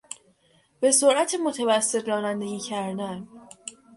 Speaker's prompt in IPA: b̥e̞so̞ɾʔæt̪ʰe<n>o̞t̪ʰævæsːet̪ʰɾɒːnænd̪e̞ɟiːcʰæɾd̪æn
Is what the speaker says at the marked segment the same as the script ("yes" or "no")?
no